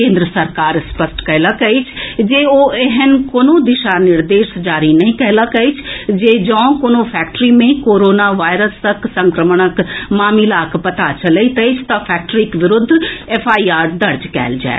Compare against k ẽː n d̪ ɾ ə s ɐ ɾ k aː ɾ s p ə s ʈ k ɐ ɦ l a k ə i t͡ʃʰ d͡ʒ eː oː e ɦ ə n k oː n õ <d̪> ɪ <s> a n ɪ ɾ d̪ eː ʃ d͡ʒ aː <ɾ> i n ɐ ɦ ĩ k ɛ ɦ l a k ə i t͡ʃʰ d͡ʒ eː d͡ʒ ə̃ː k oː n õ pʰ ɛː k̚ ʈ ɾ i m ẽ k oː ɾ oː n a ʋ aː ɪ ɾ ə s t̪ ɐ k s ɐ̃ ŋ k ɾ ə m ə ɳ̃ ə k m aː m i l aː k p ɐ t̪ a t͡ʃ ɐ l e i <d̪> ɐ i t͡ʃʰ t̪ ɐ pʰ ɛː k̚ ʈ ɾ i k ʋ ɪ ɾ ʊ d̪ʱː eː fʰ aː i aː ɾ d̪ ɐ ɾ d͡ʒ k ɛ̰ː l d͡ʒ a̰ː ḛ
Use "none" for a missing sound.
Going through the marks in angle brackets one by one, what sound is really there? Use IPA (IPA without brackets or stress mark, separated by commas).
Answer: d̪, ʃ, ɾ, t̪